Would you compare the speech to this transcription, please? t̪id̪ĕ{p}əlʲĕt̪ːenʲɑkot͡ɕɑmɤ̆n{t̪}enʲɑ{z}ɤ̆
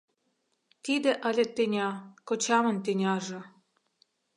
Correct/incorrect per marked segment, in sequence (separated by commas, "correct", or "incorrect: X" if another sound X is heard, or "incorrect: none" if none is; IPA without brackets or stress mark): incorrect: ʔ, correct, incorrect: ʒ